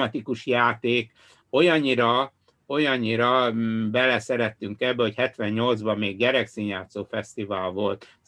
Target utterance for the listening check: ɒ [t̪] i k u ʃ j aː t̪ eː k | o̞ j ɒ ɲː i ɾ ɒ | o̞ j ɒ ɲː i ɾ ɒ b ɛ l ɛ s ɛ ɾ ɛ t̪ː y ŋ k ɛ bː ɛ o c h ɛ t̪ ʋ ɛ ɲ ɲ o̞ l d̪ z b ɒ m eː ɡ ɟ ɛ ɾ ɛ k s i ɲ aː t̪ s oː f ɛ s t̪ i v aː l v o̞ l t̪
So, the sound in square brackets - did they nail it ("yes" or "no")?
yes